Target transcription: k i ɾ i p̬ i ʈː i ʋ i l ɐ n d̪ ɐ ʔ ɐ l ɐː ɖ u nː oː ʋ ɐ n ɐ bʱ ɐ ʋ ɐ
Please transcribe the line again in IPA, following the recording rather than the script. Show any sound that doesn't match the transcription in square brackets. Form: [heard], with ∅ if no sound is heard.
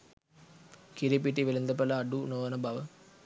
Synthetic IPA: k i ɾ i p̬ i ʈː i ʋ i l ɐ n d̪ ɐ [p] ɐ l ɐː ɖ u [n] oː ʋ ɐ n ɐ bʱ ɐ ʋ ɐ